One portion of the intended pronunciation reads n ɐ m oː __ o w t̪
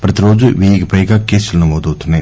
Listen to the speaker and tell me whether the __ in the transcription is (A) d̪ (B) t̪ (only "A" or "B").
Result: A